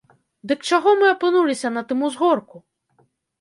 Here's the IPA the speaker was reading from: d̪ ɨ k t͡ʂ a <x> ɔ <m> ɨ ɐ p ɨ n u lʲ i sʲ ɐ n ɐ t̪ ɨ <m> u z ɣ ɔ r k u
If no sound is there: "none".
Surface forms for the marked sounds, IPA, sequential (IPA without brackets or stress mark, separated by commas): ɣ, m, m